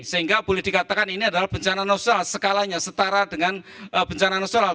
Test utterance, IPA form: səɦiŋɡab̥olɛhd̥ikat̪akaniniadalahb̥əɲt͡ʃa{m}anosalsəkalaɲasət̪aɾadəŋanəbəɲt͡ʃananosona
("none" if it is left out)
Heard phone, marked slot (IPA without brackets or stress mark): n